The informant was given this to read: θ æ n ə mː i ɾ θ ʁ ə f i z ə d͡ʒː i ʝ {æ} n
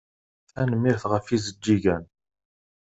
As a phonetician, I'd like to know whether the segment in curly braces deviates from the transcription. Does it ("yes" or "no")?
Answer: no